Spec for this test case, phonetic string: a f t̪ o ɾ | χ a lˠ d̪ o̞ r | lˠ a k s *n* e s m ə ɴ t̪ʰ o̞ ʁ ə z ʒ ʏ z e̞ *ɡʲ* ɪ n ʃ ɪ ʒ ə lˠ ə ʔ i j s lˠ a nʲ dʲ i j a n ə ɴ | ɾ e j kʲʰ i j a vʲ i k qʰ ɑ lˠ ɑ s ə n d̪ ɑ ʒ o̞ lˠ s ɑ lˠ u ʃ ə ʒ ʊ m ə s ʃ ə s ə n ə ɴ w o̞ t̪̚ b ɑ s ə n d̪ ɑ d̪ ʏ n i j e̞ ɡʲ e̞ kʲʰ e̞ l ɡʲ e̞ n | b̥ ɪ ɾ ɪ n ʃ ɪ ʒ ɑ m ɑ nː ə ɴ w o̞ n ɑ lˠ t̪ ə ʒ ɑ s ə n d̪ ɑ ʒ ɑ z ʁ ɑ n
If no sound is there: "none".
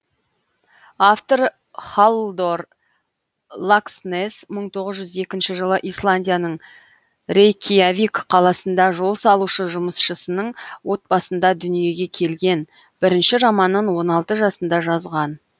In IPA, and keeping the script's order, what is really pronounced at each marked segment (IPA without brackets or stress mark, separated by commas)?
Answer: n, kʲ